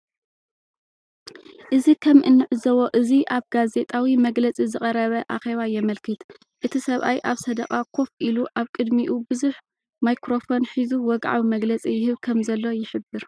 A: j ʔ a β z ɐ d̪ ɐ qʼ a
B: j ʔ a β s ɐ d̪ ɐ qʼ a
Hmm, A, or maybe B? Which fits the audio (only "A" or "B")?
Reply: B